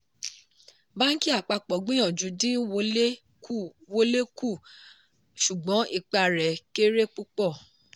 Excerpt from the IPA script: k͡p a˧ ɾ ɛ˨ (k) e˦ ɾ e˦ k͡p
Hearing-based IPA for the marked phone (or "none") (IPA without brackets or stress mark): k